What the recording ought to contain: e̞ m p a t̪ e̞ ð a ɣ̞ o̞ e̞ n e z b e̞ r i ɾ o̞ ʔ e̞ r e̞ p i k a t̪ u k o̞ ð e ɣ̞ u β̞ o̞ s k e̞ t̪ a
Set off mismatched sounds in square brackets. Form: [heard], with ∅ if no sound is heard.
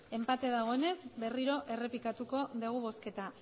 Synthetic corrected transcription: e̞ m p a t̪ e̞ ð a ɣ̞ o̞ e̞ n e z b e̞ r i ɾ o̞ ʔ e̞ r e̞ p i k a t̪ u k o̞ ð e ɣ̞ u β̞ o̞ s k e̞ t̪ a